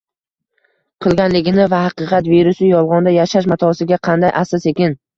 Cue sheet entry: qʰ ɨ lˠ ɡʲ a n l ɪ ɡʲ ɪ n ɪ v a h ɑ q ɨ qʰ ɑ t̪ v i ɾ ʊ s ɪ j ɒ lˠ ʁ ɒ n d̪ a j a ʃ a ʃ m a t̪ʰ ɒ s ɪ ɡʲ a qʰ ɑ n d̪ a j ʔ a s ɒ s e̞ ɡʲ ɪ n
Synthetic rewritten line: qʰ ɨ lˠ ɡʲ a n l ɪ ɡʲ ɪ n ɪ v a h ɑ q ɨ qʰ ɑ t̪ v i ɾ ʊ s ɪ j ɒ lˠ ʁ ɒ n d̪ a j a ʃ a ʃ m a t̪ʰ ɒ s ɪ ɡʲ a qʰ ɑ n d̪ a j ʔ a s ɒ s e̞ kʲ ɪ n